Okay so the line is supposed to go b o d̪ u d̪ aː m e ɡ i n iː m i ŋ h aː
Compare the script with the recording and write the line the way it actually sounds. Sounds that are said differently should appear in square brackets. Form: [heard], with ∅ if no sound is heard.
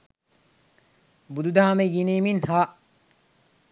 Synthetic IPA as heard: b [u] d̪ u d̪ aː m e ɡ i n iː m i [n] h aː